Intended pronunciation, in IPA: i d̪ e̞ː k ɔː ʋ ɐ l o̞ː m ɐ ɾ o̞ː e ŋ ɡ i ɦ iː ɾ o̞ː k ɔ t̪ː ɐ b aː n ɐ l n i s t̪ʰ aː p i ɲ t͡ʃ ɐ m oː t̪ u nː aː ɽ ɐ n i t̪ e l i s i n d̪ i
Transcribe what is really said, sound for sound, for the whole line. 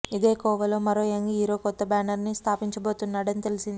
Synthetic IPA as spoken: i d̪ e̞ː k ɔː ʋ ɐ l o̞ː m ɐ ɾ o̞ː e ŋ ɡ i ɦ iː ɾ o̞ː k ɔ t̪ː ɐ b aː n ɐ ɾ n i s t̪ʰ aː p i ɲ t͡ʃ ɐ b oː t̪ u nː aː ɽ ɐ n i t̪ e l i s i n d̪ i